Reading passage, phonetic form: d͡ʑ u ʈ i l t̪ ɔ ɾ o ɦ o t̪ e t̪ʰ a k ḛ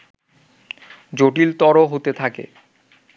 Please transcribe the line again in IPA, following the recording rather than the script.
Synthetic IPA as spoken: d͡ʑ o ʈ i l t̪ ɔ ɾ o ɦ o t̪ e t̪ʰ a k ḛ